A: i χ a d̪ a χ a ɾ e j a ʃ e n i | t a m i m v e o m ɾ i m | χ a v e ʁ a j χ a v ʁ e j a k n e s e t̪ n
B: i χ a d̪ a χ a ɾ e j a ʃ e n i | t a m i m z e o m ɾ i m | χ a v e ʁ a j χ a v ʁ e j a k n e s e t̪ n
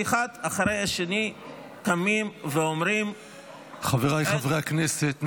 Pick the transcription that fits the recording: A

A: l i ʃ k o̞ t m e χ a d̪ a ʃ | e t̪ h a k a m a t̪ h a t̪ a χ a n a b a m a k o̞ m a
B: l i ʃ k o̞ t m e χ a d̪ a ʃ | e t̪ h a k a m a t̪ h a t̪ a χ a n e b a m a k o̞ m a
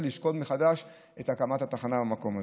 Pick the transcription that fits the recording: A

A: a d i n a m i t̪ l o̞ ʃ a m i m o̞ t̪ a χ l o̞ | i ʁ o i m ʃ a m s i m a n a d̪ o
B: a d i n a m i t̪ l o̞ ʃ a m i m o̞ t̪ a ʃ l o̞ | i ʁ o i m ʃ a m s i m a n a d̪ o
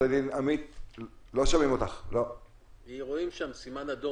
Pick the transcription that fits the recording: A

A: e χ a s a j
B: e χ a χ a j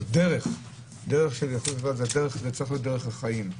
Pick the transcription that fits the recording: B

